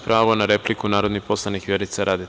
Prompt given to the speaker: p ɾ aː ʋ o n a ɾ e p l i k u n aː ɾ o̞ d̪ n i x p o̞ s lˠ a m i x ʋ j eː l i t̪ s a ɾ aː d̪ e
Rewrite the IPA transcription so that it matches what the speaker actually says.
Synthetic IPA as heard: p ɾ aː ʋ o n a ɾ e p l i k u n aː ɾ o̞ d̪ n i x p o̞ s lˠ a n i x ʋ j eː ɾ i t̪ s a ɾ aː d̪ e